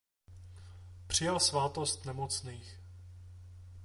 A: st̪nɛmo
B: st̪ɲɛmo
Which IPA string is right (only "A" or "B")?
A